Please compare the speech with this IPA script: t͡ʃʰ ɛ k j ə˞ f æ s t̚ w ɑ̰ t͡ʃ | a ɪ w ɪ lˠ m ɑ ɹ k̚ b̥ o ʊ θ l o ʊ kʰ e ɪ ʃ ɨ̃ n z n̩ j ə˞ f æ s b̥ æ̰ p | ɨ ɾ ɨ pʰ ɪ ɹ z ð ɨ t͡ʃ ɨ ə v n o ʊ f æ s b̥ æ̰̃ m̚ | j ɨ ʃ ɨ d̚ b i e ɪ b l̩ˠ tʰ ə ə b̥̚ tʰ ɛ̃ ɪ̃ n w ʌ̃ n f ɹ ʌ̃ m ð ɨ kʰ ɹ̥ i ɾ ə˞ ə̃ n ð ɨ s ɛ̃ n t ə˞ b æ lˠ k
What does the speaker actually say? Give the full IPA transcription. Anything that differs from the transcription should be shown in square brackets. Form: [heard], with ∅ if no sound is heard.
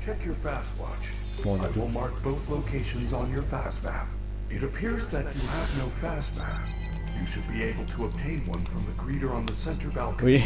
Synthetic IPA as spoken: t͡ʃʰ ɛ k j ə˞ f æ s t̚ w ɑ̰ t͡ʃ | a ɪ w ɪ lˠ m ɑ ɹ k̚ b̥ o ʊ θ l o ʊ kʰ e ɪ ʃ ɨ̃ n z n̩ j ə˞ f æ s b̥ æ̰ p | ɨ ɾ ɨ pʰ ɪ ɹ z ð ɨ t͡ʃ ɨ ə v n o ʊ f æ s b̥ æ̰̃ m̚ | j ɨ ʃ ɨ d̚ b i e ɪ b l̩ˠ tʰ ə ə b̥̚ tʰ [ẽ] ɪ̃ n w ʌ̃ n f ɹ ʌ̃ m ð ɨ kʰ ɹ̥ i ɾ ə˞ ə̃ n ð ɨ s ɛ̃ n t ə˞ b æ lˠ k

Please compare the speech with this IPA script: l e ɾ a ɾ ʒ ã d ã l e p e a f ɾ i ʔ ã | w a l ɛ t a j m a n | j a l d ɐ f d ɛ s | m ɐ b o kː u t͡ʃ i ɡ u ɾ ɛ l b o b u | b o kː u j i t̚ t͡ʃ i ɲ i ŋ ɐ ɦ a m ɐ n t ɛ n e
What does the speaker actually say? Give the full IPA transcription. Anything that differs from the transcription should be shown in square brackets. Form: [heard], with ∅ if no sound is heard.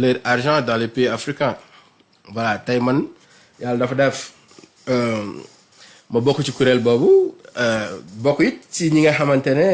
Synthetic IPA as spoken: l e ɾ a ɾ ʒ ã d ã l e p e a f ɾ i [k] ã | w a l [a] t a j m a n | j a l d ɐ f d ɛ [f] | m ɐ b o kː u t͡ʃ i [k] u ɾ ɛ l b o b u | b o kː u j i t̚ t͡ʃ i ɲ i ŋ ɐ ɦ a m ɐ n t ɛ n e

